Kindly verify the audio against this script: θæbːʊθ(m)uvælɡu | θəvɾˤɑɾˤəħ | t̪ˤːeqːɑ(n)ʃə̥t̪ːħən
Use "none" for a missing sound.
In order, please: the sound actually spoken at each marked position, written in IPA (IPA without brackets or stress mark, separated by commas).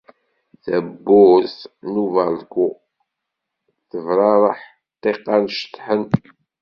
n, n